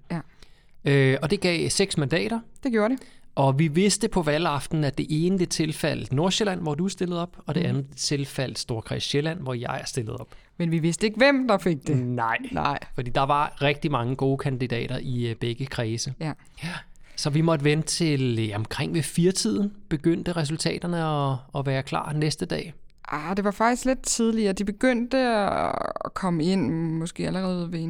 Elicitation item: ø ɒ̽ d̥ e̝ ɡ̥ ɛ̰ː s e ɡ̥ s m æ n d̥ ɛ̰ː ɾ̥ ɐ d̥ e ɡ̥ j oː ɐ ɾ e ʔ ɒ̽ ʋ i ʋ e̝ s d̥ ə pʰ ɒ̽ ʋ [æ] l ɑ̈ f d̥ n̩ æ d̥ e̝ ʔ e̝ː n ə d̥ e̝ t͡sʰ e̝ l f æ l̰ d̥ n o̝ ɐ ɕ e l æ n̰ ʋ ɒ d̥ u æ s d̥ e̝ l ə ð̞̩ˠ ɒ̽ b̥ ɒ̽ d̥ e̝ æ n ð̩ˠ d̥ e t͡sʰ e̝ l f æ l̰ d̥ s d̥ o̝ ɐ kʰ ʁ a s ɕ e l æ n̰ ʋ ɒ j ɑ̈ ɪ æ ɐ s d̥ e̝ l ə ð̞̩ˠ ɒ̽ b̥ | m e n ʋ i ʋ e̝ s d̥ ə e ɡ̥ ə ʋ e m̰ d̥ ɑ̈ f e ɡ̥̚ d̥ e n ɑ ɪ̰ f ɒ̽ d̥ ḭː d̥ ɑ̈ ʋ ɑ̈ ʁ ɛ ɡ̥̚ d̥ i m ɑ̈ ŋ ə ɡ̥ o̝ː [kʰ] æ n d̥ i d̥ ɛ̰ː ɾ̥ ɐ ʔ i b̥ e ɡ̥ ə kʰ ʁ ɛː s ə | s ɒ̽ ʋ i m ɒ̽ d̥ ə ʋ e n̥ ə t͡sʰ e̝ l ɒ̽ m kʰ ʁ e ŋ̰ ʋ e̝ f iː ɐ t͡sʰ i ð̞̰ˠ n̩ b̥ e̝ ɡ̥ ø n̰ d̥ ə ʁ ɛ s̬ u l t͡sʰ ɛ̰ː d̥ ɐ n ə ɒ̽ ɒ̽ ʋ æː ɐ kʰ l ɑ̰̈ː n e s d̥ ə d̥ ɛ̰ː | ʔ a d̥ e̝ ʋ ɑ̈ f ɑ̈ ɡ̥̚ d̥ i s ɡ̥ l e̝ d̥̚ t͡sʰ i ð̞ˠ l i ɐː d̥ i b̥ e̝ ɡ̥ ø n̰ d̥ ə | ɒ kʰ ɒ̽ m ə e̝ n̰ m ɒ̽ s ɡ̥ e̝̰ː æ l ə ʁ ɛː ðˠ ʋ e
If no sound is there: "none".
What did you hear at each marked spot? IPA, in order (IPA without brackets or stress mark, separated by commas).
æ, kʰ